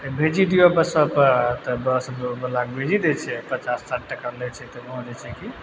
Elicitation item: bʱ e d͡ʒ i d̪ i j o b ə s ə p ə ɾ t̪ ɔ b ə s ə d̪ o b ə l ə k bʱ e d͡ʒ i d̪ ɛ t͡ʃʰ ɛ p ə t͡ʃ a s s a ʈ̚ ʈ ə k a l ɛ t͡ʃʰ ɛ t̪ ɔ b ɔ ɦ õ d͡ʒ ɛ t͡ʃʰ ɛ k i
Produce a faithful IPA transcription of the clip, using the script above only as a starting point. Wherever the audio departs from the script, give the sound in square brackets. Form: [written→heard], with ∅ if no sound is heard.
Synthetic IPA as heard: bʱ e d͡ʒ i d̪ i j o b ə s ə p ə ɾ t̪ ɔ b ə s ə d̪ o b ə l [ə→a] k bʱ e d͡ʒ i d̪ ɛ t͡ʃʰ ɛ p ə t͡ʃ a s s a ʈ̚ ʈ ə k a l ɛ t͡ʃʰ ɛ t̪ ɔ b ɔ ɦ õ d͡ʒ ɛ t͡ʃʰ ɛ k i

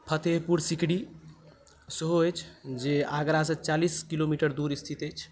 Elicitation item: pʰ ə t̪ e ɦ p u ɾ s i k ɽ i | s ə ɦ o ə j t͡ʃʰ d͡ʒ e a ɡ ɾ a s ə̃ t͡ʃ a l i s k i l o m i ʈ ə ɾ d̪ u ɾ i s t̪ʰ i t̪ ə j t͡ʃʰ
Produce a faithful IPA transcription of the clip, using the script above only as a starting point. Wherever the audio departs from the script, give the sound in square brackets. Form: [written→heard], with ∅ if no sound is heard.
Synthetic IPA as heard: pʰ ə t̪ e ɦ p u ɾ s i k ɽ i | s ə ɦ o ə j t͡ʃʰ d͡ʒ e a ɡ ɾ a s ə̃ t͡ʃ a l i s k i l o m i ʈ ə ɾ d̪ u ɾ i s t̪ʰ i t̪ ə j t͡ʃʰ

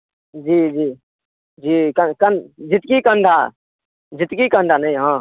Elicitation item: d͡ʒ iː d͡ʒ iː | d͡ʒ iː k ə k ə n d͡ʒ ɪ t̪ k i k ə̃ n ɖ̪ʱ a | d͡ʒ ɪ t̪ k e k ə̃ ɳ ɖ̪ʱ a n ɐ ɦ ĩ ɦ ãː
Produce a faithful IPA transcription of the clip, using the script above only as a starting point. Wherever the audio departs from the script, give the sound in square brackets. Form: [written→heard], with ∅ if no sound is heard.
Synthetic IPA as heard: d͡ʒ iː d͡ʒ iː | d͡ʒ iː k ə k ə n d͡ʒ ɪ t̪ k i k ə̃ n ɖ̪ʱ a | d͡ʒ ɪ t̪ k [e→i] k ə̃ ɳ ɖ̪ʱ a n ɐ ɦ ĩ ɦ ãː

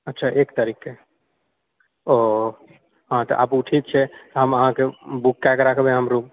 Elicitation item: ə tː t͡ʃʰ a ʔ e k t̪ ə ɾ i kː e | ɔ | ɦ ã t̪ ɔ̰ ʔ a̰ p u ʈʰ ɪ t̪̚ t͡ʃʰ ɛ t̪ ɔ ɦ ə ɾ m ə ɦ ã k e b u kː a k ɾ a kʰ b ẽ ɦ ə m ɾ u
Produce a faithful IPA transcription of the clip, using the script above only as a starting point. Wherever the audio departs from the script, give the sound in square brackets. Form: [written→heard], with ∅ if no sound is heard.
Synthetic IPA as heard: ə tː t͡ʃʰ a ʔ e k t̪ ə ɾ i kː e | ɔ | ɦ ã t̪ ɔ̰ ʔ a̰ p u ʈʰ [ɪ→i] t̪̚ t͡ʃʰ ɛ t̪ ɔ ɦ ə [ɾ→∅] m ə ɦ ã k e b u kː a k ɾ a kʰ b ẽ ɦ ə m ɾ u

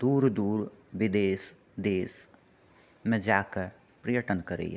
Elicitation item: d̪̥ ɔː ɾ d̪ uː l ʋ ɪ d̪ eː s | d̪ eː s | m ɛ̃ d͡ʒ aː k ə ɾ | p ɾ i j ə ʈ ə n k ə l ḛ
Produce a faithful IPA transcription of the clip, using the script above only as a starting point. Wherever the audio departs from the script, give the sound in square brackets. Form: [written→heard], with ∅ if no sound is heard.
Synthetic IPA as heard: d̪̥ [ɔː→uː] ɾ d̪ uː [l→ɾ] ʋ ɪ d̪ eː s | d̪ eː s | m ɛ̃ d͡ʒ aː k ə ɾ | p ɾ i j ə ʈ ə n k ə [l→ɾ] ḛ

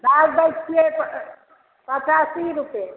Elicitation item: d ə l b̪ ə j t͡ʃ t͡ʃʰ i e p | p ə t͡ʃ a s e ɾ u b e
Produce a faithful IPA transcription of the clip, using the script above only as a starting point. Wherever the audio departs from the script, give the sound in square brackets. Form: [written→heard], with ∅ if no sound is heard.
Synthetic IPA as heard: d [ə→a] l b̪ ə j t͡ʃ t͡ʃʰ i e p | p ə t͡ʃ a s [e→i] ɾ u [b→p] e

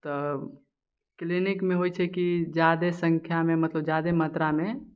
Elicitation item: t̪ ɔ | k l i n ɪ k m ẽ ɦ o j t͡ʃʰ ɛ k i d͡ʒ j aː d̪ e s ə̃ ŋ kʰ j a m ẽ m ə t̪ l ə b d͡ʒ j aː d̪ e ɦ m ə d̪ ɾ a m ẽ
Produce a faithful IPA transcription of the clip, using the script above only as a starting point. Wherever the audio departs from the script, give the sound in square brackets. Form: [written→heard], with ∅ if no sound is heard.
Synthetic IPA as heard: t̪ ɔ | k l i n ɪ k m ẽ ɦ o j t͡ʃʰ ɛ k i d͡ʒ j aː d̪ e s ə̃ ŋ kʰ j a m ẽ m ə t̪ l ə b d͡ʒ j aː d̪ e [ɦ→∅] m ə [d̪→t̪] ɾ a m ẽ

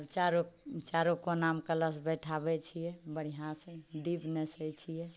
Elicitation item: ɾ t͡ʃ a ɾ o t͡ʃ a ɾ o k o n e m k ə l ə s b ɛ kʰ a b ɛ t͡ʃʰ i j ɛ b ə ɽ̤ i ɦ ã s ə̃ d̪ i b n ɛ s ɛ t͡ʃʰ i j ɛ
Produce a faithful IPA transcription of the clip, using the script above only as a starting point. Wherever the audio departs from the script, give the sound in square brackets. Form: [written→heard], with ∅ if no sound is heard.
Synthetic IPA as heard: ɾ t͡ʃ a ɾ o t͡ʃ a ɾ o k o n [e→a] m k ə l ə s b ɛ [kʰ→ʈʰ] a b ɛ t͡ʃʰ i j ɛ b ə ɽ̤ i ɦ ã s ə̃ d̪ i b n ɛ s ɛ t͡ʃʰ i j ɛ

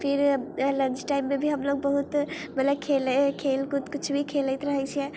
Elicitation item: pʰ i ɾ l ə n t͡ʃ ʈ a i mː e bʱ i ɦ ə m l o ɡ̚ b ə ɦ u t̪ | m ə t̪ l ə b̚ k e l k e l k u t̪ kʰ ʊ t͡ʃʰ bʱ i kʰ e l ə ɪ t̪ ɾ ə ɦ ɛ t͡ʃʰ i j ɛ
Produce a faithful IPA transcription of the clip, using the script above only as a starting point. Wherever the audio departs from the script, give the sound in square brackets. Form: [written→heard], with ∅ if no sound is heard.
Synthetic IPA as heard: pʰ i ɾ l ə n t͡ʃ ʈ a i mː e bʱ i ɦ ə m l o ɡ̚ b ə ɦ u t̪ | m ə t̪ l ə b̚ [k→kʰ] e l [k→kʰ] e l k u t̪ [kʰ→k] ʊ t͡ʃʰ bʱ i kʰ e l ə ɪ t̪ ɾ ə ɦ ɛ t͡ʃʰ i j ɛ

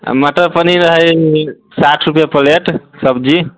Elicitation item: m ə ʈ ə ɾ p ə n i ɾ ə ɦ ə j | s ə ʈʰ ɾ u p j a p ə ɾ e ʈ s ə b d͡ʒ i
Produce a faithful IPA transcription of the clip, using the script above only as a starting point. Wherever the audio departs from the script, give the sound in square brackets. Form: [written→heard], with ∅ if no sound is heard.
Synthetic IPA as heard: m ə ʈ ə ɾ p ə n i ɾ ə ɦ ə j | s [ə→a] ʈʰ ɾ u p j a p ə [ɾ→l] e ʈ s ə b d͡ʒ i

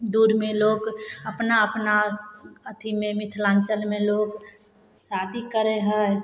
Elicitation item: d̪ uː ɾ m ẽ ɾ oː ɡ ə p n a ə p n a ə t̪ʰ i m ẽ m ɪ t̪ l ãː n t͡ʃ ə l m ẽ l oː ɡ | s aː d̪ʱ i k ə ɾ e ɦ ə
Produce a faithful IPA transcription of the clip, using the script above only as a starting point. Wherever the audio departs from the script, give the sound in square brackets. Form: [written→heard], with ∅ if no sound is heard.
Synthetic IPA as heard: d̪ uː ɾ m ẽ [ɾ→l] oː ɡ ə p n a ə p n a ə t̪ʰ i m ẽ m ɪ [t̪→t̪ʰ] l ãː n t͡ʃ ə l m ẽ l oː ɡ | s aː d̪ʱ i k ə ɾ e ɦ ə

